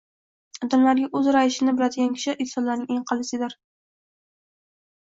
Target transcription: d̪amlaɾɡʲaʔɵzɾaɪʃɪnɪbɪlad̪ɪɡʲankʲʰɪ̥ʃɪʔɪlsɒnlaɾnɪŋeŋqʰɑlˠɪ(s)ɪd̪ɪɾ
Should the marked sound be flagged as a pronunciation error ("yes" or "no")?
no